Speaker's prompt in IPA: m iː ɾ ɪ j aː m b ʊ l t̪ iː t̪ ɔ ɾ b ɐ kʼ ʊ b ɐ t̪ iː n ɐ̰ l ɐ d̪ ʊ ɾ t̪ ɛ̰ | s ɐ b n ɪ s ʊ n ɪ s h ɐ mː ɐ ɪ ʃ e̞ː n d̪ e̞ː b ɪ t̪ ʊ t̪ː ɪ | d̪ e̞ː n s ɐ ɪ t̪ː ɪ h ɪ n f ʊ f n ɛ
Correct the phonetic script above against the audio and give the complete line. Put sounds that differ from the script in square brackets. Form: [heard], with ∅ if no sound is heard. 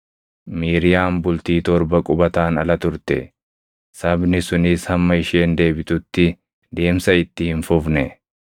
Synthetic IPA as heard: m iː ɾ ɪ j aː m b ʊ l t̪ iː t̪ ɔ ɾ b ɐ kʼ ʊ b ɐ t̪ [aː] n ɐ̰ l ɐ [t̪] ʊ ɾ t̪ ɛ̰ | s ɐ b n ɪ s ʊ n ɪ s h ɐ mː ɐ ɪ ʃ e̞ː n d̪ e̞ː b ɪ t̪ ʊ t̪ː ɪ | d̪ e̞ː [m] s ɐ ɪ t̪ː ɪ h ɪ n f ʊ f n ɛ